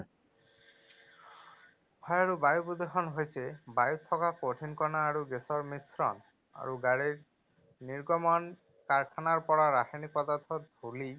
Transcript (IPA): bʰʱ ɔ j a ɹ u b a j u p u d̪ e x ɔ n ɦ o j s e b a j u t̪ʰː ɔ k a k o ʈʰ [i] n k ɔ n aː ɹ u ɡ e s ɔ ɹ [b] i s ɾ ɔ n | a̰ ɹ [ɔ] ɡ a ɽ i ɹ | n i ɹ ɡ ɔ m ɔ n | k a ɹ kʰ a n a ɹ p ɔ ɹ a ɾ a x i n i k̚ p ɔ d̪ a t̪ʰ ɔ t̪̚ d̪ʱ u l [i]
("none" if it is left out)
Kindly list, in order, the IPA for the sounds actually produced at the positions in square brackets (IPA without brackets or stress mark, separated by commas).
i, m, u, i